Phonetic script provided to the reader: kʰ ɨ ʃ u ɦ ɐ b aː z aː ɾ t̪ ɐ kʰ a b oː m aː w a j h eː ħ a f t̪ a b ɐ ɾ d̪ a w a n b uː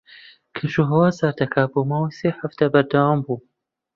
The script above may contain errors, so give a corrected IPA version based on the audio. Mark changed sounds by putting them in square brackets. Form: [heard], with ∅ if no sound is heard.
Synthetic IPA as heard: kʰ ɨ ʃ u ɦ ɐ [w] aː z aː ɾ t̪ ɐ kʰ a b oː m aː w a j [s] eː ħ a f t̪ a b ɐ ɾ d̪ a w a [m] b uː